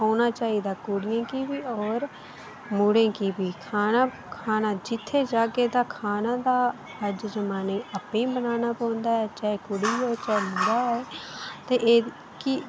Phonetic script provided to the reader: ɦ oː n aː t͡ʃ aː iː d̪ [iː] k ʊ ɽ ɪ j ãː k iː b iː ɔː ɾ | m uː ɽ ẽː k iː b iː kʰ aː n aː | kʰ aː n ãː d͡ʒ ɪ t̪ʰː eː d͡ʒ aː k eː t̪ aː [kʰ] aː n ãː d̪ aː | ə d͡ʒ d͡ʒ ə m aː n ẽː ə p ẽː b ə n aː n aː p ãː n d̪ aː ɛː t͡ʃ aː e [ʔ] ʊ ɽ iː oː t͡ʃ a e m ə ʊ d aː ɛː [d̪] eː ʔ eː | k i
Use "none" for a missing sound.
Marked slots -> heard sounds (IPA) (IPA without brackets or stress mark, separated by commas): aː, kʰ, k, t̪